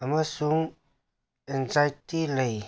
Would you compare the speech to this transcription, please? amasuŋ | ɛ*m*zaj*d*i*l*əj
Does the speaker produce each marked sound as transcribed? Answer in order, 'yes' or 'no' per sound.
no, no, yes

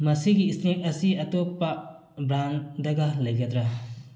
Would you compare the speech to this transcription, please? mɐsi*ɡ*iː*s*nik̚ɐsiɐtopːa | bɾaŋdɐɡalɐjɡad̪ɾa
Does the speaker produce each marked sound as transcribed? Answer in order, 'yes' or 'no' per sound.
yes, yes

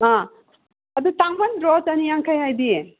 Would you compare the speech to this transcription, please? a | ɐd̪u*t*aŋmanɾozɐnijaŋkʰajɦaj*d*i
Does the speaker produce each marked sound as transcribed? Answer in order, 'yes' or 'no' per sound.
yes, yes

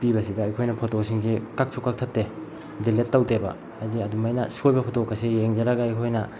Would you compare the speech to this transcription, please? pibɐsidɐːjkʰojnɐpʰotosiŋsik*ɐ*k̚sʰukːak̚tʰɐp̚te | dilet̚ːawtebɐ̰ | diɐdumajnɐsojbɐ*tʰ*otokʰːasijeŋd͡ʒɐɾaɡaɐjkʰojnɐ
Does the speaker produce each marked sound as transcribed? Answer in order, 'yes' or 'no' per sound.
no, no

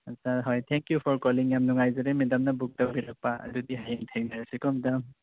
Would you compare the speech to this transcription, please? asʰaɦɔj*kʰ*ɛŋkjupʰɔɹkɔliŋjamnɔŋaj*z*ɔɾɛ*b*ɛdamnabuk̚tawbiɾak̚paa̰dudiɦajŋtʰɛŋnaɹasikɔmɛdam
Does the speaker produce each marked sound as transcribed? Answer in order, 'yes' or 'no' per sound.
no, yes, no

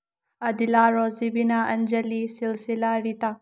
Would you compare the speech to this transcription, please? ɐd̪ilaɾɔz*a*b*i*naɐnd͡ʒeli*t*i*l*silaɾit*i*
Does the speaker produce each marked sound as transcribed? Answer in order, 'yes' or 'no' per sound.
no, yes, no, yes, no

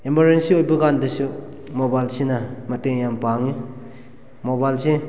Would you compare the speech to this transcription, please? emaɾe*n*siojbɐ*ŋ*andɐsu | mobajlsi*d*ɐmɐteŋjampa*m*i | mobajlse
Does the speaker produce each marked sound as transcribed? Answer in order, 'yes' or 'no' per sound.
yes, no, no, no

